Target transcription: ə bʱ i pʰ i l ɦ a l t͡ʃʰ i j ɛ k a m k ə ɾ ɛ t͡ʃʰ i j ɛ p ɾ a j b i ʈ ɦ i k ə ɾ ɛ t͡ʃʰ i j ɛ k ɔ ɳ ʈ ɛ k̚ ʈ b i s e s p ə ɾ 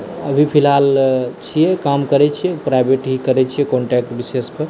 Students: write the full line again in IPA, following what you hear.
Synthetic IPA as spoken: ə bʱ i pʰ i l ɦ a l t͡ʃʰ i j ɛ k a m k ə ɾ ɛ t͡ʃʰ i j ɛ p ɾ a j b e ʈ ɦ i k ə ɾ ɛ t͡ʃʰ i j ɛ k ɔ ɳ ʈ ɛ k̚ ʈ b i s e s p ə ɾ

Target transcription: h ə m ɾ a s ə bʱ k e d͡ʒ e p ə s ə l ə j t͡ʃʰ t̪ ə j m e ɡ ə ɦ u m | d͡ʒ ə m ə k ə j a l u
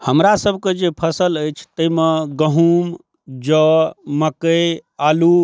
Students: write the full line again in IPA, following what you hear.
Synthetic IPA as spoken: h ə m ɾ a s ə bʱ k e d͡ʒ e pʰ ə s ə l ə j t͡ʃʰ t̪ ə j m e ɡ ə ɦ u m | d͡ʒ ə m ə k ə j a l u

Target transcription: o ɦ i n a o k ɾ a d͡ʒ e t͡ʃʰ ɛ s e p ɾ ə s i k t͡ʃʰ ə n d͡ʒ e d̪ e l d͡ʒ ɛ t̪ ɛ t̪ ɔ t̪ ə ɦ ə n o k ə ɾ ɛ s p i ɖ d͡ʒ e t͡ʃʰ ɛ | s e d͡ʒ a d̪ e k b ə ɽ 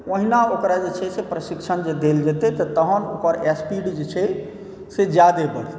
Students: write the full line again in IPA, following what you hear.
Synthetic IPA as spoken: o ɦ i n a o k ɾ a d͡ʒ e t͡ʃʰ ɛ s e p ɾ ə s i k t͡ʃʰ ə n d͡ʒ e d̪ e l d͡ʒ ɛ t̪ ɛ t̪ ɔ t̪ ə ɦ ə n o k ə ɾ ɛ s p i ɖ d͡ʒ e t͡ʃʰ ɛ | s e d͡ʒ a d̪ e b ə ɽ

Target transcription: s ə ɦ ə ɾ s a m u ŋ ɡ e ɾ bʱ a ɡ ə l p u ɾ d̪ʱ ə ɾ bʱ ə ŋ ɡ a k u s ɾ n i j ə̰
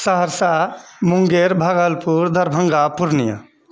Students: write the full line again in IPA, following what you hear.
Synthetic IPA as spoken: s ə ɦ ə ɾ s a m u ŋ ɡ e ɾ bʱ a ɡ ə l p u ɾ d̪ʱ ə ɾ bʱ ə ŋ ɡ a p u ɾ n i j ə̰

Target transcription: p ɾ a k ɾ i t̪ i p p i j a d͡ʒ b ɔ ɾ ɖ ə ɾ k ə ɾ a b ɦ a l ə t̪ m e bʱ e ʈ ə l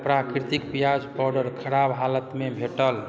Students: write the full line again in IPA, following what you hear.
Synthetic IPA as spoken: p ɾ a k ɾ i t̪ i k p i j a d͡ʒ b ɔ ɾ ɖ ə ɾ kʰ ə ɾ a b ɦ a l ə t̪ m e bʱ e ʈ ə l

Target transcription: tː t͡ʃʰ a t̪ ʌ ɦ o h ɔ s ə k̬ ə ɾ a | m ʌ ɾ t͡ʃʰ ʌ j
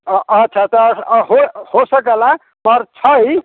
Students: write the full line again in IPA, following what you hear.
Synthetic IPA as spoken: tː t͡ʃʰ a t̪ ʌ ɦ o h o s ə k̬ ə l a | m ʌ ɾ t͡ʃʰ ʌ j

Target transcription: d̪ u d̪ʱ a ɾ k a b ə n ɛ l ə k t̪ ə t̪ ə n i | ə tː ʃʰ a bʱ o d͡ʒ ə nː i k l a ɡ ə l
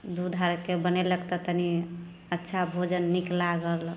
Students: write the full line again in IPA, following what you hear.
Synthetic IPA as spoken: d̪ u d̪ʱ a ɾ k e b ə n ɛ l ə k t̪ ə t̪ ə n i | ə tː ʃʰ a bʱ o d͡ʒ ə nː i k l a ɡ ə l

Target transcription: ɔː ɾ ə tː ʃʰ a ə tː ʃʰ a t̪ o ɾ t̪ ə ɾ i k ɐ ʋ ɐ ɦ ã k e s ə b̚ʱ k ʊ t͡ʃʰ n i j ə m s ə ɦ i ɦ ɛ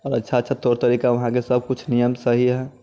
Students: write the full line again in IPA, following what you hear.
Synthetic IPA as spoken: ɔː ɾ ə tː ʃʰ a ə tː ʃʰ a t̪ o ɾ t̪ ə ɾ i k a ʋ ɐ ɦ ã k e s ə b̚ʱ k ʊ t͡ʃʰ n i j ə m s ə ɦ i ɦ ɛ

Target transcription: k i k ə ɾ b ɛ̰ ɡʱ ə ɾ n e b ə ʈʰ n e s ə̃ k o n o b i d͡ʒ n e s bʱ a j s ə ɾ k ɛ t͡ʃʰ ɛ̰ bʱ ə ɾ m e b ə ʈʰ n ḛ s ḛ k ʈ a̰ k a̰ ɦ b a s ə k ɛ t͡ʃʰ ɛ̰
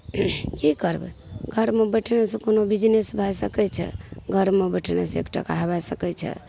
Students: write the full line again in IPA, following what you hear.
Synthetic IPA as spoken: k i k ə ɾ b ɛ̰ ɡʱ ə ɾ m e b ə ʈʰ n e s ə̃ k o n o b i d͡ʒ n e s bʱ a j s ə k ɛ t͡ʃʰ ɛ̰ ɡʱ ə ɾ m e b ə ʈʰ n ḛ s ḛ k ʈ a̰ k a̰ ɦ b a s ə k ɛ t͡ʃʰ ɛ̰

